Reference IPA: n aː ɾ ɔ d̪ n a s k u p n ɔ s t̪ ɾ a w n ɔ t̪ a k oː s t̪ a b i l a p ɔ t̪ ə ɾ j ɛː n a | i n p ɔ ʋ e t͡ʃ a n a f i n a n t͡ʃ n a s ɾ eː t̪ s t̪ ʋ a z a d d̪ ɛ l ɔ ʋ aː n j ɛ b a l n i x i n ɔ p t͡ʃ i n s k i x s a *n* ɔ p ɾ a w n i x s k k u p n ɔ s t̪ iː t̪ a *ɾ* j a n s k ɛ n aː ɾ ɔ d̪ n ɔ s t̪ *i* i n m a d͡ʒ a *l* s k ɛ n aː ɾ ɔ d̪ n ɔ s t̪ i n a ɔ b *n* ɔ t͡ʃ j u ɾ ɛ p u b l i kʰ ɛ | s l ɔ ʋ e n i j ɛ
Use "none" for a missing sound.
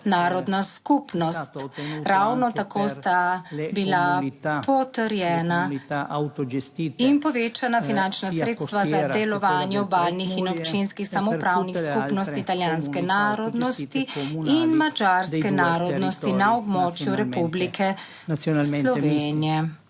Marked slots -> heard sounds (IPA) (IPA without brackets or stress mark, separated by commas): m, l, i, ɾ, m